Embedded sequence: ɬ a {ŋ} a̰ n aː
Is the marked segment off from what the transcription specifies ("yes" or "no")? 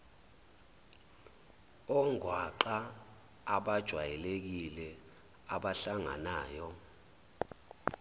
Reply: no